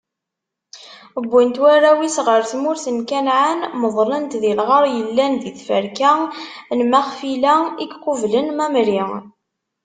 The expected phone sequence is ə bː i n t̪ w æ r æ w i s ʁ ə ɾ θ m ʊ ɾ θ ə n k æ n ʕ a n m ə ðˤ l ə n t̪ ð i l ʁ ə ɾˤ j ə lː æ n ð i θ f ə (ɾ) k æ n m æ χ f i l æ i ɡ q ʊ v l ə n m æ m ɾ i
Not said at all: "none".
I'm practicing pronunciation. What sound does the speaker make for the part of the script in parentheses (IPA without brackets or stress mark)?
ɾ